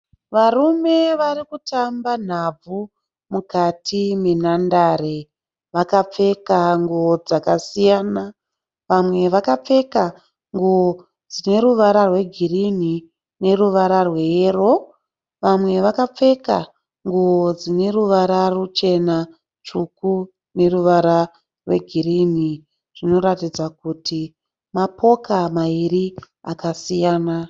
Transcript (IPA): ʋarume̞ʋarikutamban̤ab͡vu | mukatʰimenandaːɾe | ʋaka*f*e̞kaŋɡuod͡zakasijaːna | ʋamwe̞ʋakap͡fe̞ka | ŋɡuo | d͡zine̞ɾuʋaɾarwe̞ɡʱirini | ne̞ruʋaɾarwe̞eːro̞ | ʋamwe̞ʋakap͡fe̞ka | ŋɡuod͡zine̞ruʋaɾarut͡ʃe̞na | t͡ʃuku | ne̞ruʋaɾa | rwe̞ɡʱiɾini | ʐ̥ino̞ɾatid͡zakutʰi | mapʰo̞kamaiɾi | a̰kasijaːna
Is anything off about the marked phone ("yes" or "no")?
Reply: yes